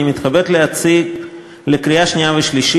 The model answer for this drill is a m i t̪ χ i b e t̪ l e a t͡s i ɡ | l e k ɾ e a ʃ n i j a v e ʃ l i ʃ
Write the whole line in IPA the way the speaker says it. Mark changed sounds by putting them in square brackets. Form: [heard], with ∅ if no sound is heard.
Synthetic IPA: [i] m i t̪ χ [a] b e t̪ l e a t͡s i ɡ | l e k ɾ [i] a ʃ n i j a v e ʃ l i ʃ